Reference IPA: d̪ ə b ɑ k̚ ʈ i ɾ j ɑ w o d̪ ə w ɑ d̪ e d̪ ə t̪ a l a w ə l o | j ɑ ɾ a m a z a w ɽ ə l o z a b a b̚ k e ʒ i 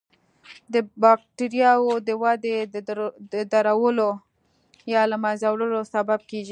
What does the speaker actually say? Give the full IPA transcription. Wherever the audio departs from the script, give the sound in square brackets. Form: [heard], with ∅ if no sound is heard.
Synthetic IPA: d̪ ə b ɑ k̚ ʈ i ɾ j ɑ w o d̪ ə w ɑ d̪ e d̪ ə [d̪] a [ɾ] a w ə l o | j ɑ [l] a m a z a w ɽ ə l o [s] a b a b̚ k e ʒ i